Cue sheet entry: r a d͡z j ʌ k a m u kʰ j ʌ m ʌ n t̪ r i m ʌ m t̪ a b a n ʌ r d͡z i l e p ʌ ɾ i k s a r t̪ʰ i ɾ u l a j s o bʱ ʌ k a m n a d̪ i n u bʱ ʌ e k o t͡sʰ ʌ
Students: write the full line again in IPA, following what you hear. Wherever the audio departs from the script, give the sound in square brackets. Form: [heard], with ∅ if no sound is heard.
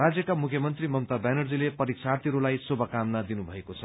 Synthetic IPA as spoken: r a d͡z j ʌ k a m u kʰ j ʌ m ʌ n t̪ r i m ʌ m t̪ a b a n ʌ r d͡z i l e p ʌ ɾ i k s a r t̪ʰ i ɾ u l a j s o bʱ ʌ k a m n a d̪ i n u bʱ ʌ e k o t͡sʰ ʌ